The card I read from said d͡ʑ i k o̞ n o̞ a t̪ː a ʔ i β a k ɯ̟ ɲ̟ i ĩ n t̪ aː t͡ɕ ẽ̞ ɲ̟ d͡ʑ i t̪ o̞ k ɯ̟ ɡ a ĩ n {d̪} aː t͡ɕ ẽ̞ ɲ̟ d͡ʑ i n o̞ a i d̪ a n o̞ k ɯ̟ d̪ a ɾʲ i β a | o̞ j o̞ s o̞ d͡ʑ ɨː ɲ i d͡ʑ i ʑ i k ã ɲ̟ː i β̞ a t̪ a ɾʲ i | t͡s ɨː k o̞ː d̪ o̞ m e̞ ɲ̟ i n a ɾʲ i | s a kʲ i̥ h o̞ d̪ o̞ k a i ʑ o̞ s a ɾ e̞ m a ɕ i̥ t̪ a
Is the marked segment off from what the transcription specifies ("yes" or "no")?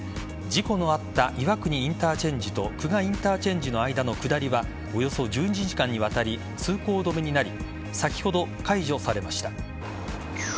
yes